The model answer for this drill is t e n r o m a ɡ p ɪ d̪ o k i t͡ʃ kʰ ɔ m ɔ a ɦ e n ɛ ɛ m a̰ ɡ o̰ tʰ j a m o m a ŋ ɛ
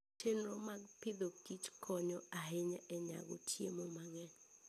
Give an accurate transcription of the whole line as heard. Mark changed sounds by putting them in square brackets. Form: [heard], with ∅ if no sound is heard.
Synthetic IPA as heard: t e n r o m a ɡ p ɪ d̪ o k i t͡ʃ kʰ ɔ [ɲ] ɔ a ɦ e [ɲ] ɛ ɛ [ɲ] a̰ ɡ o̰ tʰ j [e] m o m a ŋ ɛ